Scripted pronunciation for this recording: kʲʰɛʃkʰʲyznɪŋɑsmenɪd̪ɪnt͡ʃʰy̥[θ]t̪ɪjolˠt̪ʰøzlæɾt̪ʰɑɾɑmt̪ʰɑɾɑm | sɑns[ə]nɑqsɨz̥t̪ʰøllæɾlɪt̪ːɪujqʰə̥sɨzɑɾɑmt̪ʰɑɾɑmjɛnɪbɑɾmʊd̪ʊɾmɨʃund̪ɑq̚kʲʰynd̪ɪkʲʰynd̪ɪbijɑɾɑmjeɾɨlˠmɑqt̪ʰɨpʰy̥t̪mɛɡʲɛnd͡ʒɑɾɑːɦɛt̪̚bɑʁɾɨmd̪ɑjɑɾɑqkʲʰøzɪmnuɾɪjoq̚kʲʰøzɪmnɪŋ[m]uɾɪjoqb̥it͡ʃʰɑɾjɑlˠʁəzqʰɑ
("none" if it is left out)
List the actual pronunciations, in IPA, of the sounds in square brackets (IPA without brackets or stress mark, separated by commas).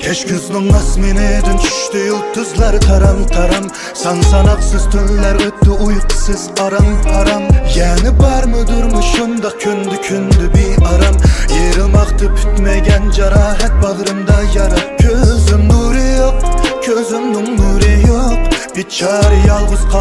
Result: ʃ, ɑ, n